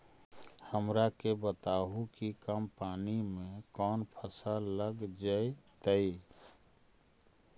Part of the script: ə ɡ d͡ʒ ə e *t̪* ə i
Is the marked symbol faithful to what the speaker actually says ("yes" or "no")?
yes